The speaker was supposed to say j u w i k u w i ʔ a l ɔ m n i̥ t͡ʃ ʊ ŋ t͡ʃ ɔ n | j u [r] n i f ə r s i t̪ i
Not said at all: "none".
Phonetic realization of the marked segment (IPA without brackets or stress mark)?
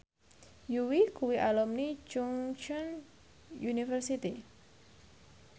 none